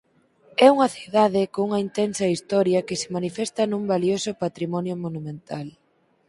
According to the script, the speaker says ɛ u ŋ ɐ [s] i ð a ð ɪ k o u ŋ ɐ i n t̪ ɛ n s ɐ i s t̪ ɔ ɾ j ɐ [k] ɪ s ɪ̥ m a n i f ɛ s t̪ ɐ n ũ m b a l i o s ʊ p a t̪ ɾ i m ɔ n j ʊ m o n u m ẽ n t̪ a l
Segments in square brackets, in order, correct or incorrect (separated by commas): incorrect, correct